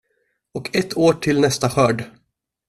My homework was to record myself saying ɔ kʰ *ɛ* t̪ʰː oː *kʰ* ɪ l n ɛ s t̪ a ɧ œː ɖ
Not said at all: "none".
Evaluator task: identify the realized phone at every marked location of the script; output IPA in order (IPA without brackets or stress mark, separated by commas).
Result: ɛ, ʈʰ